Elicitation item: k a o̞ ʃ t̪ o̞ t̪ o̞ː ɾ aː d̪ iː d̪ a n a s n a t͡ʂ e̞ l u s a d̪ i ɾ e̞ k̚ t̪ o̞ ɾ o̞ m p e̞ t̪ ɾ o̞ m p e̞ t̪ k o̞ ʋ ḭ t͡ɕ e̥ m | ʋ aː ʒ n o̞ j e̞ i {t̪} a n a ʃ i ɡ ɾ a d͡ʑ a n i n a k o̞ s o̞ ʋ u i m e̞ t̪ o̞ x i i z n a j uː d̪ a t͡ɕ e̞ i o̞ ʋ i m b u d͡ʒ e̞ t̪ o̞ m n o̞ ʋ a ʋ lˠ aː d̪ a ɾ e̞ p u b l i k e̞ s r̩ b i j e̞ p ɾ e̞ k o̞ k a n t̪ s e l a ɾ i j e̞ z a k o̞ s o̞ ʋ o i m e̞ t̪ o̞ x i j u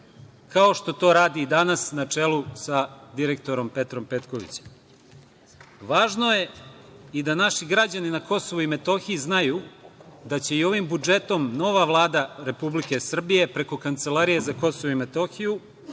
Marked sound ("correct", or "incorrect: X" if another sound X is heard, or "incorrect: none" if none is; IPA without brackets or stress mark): incorrect: d̪